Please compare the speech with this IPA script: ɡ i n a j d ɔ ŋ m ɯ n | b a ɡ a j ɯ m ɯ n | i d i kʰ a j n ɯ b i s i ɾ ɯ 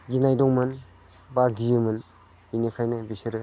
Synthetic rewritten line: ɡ i n a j d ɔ ŋ m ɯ n | b a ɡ i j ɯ m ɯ n | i n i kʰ a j n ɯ b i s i ɾ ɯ